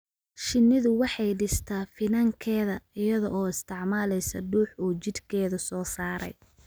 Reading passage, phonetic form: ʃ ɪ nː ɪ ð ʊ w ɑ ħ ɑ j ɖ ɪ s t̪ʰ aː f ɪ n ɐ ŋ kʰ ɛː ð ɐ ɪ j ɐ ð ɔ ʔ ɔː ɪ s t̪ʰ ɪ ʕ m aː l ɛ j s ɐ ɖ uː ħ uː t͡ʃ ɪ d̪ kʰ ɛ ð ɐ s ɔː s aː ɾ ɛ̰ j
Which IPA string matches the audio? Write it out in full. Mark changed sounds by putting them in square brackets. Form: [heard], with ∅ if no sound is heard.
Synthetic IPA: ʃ ɪ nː ɪ ð ʊ w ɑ ħ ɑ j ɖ ɪ s t̪ʰ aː f ɪ n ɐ ŋ kʰ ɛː ð ɐ ɪ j ɐ ð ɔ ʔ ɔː ɪ s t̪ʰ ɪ ʕ m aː l ɛ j s ɐ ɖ uː ħ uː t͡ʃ ɪ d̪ kʰ [ɛː] ð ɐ s ɔː s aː ɾ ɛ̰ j